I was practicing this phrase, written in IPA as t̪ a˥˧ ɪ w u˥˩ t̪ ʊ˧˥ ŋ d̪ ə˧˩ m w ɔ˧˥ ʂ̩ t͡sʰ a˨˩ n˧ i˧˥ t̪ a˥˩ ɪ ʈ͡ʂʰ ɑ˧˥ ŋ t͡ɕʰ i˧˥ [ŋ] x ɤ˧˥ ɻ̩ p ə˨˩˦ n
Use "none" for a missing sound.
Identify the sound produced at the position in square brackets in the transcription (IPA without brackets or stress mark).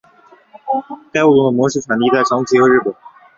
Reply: none